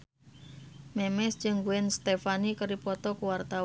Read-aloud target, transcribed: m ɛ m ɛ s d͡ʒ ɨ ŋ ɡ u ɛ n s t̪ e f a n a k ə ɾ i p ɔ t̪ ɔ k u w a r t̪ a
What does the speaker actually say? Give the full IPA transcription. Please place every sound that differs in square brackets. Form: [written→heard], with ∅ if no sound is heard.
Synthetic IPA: m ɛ m ɛ s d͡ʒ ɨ ŋ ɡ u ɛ n s t̪ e f a n [a→i] k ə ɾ i p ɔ t̪ ɔ k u w a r t̪ a